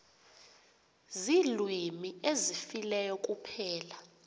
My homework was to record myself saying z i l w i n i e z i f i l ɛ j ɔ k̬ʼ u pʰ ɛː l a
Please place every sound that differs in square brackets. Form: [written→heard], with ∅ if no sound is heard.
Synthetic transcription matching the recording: z i l w i [n→m] i e z i f i l ɛ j ɔ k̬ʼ u pʰ ɛː l a